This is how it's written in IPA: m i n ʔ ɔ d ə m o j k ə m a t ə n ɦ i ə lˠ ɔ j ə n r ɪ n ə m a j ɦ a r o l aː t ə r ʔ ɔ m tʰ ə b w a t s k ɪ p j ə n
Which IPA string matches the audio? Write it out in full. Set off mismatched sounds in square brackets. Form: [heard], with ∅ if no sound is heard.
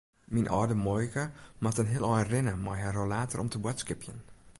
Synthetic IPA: m i n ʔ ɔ d ə m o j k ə m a t ə n ɦ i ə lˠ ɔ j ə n r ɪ n ə m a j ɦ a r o l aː t ə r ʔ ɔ m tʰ ə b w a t s k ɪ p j ə n

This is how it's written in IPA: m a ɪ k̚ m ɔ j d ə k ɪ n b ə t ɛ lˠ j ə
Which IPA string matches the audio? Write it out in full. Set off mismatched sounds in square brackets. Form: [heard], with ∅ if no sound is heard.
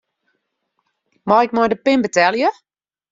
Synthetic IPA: m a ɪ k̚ m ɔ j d ə [p] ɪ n b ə t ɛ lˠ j ə

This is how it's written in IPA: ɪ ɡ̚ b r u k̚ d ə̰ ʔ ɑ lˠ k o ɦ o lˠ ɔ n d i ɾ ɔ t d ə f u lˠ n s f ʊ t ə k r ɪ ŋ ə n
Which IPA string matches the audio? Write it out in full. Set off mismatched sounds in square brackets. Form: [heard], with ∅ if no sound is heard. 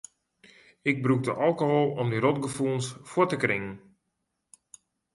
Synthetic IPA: ɪ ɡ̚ b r u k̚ d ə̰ ʔ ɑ lˠ k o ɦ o lˠ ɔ [m] d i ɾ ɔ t [ɡ] ə f u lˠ n s f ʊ t ə k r ɪ ŋ ə n

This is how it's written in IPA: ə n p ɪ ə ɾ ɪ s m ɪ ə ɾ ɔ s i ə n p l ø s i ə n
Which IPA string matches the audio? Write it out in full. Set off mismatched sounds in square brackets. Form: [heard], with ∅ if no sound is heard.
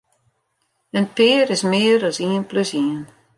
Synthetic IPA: ə n p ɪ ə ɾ ɪ s m ɪ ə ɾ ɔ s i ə n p l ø s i ə n

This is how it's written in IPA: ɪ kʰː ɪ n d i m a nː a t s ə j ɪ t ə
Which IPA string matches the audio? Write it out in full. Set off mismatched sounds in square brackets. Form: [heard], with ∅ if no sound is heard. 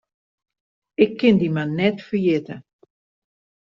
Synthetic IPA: ɪ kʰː ɪ n d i m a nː [ɛ] t [f] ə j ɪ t ə

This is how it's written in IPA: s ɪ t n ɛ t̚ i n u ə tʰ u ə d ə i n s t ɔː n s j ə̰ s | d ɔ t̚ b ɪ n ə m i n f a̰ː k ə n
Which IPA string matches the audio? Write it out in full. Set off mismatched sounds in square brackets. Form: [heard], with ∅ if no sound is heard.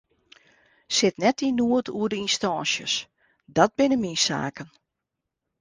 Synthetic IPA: s ɪ t n ɛ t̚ i n u ə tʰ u ə d ə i n s t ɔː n s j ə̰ s | d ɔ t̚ b ɪ n ə m i n [s] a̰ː k ə n

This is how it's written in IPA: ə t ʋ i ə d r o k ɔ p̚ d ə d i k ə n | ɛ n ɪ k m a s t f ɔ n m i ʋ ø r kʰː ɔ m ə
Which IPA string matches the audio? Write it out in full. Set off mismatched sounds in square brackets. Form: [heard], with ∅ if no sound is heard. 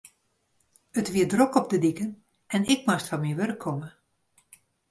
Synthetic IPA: ə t ʋ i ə d r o k ɔ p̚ d ə d i k ə n | ɛ n ɪ k m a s t f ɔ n m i ʋ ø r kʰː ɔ m ə

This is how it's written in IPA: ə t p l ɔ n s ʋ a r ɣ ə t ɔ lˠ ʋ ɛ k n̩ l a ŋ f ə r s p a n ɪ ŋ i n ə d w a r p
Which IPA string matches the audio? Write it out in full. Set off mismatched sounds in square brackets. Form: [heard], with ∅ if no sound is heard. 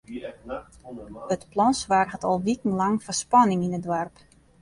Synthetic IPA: ə t p l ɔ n s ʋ a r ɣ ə t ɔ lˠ ʋ [i] k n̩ l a ŋ f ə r s p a n ɪ ŋ i n ə d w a r p

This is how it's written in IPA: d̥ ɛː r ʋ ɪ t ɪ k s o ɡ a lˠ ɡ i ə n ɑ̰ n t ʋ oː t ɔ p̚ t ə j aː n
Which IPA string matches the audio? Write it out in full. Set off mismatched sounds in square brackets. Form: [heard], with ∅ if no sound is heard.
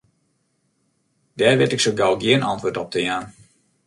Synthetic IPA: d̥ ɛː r ʋ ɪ t ɪ k s o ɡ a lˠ ɡ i ə n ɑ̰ n t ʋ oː t ɔ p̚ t ə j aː n

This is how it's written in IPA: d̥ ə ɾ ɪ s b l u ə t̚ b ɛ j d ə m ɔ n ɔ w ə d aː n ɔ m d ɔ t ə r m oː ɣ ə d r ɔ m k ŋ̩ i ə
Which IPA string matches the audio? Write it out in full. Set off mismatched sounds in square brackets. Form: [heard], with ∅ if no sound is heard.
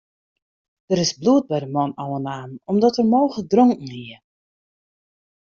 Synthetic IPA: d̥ ə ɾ ɪ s b l u ə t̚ b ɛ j d ə m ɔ n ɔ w ə [n] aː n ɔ m d ɔ t ə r m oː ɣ ə d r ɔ [ŋ] k ŋ̩ i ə

